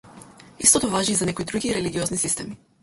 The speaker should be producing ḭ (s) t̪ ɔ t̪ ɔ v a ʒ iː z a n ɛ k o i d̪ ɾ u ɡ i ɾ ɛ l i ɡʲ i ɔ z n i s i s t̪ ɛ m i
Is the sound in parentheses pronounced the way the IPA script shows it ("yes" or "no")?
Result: yes